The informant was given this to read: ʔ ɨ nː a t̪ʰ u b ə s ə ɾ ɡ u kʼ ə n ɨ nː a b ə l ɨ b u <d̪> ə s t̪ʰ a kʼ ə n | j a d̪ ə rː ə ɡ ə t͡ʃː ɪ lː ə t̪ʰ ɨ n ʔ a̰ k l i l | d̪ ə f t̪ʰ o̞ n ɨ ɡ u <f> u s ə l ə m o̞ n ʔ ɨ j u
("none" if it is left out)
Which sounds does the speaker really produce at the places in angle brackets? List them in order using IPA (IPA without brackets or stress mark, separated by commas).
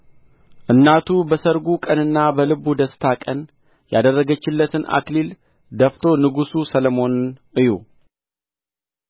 d̪, s